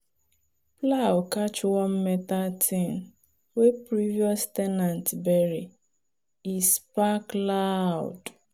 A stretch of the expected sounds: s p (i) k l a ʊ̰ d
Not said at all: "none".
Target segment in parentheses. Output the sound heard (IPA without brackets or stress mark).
a